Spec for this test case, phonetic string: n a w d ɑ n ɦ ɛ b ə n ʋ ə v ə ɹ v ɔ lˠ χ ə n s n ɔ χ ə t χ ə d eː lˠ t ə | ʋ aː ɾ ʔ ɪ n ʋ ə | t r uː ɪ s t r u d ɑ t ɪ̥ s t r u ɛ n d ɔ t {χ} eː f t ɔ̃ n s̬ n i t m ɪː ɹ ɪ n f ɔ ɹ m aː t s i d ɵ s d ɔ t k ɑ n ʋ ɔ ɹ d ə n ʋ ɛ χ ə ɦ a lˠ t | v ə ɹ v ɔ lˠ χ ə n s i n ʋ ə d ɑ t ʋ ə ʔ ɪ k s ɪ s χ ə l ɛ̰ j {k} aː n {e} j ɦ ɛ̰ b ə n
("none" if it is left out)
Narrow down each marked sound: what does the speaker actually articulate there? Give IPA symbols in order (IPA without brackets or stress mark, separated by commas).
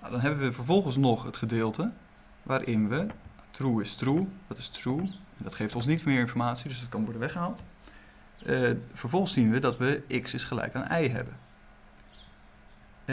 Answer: χ, k, ɛ